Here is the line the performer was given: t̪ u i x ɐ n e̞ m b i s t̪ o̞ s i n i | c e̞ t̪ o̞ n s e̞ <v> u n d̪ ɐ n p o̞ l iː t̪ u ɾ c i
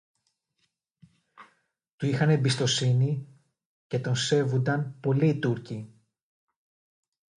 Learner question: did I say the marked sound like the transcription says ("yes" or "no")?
yes